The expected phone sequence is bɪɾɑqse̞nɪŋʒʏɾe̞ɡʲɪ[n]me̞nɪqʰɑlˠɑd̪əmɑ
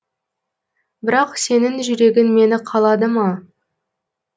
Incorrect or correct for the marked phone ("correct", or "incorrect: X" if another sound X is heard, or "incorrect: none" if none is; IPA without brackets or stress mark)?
correct